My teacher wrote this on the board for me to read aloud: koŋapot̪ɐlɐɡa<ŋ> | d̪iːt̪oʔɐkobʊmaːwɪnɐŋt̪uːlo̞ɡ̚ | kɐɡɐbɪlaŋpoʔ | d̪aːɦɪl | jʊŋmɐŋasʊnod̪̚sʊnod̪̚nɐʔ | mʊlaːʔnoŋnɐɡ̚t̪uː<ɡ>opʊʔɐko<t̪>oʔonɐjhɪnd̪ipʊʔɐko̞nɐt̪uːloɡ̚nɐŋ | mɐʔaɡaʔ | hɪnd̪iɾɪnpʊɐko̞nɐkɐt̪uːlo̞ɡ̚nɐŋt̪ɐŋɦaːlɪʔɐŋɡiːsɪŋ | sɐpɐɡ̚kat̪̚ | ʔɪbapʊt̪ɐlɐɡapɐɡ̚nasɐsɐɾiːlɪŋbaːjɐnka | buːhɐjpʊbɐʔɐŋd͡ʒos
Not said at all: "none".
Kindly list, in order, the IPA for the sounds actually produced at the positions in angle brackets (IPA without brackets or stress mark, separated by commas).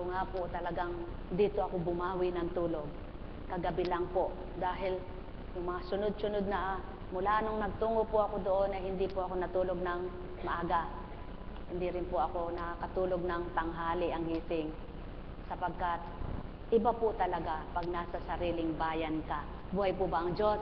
ŋ, ŋ, d̪